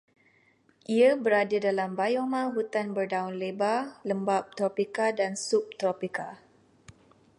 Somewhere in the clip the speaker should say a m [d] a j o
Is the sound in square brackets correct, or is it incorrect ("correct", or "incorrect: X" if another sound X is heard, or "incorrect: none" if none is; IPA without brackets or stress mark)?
incorrect: b